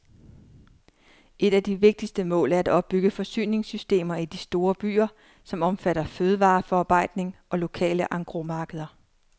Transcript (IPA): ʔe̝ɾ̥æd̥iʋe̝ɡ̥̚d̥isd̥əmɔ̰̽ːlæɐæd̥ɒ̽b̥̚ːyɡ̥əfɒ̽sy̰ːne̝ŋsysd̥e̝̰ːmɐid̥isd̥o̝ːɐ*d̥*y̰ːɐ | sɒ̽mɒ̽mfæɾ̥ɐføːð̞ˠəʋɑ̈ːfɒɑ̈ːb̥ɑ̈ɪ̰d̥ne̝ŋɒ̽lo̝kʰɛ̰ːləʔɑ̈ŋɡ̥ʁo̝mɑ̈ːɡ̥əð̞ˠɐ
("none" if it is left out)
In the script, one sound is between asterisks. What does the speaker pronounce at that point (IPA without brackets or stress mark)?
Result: b̥